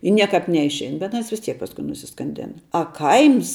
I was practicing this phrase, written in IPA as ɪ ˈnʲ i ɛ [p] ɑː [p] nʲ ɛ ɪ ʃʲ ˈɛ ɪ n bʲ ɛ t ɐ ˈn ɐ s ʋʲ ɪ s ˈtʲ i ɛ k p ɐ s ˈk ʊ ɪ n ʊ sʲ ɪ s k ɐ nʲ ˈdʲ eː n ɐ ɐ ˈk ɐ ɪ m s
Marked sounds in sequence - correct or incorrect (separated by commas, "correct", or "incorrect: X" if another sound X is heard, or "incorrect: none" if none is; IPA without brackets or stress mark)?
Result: incorrect: k, correct